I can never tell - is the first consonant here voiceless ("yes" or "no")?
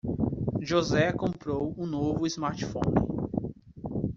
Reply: no